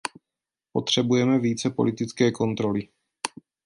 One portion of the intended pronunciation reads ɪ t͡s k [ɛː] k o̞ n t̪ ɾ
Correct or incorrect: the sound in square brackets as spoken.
correct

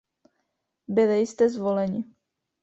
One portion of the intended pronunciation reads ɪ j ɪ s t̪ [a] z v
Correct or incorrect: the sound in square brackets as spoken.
incorrect: ɛ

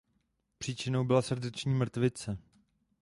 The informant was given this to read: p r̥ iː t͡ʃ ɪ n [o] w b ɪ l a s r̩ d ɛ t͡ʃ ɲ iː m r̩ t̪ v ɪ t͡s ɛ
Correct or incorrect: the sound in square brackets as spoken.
correct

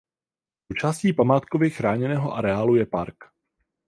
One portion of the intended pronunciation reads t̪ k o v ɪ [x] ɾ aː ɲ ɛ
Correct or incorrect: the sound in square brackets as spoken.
correct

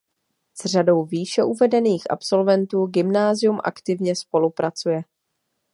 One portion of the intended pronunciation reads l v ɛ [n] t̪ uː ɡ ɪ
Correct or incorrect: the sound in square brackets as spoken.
correct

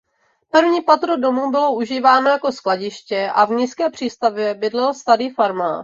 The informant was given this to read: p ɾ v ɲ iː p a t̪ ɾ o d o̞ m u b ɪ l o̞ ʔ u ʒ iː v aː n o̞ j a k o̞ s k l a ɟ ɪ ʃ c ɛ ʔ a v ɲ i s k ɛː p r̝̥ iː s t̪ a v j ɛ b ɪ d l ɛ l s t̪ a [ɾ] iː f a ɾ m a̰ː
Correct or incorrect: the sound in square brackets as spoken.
correct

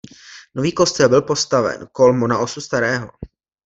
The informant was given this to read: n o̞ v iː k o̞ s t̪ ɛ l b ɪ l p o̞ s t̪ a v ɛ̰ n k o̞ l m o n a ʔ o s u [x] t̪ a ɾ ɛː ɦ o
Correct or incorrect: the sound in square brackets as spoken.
incorrect: s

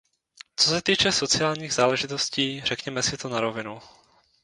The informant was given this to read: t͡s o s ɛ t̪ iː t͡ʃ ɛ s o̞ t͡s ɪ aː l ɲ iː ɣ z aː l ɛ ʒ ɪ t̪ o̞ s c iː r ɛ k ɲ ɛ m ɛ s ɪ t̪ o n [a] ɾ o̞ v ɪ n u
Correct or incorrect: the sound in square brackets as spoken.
correct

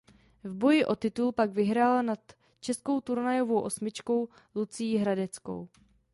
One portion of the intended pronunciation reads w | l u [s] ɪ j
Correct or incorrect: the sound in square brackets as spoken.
incorrect: t͡s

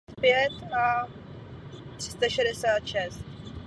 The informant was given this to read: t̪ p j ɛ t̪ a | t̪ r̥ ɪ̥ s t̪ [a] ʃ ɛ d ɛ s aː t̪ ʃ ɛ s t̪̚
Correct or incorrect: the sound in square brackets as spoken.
correct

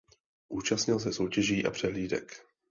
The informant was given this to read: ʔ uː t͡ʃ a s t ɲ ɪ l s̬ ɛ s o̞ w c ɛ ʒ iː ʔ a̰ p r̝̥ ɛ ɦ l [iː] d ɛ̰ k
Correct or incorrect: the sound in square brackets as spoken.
correct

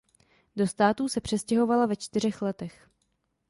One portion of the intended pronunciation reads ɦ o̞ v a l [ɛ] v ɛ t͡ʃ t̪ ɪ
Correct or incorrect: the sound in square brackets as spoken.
incorrect: a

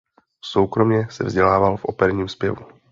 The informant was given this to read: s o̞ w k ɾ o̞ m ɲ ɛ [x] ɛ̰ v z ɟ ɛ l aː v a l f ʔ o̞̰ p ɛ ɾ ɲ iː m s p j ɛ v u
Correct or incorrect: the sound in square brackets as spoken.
incorrect: s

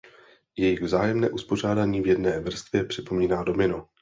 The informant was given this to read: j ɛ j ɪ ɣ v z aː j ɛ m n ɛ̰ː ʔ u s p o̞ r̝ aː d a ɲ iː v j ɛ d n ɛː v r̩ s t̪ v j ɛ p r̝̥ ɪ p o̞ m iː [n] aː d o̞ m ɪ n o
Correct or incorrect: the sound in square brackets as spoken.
correct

